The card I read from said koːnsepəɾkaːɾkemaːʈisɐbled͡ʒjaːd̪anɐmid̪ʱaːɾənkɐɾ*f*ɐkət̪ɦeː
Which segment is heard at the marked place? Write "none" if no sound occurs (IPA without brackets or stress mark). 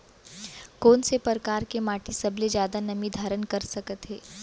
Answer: s